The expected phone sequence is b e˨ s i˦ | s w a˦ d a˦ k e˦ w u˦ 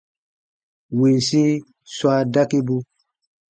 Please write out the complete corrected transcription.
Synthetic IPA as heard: w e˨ s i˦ | s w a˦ d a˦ k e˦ b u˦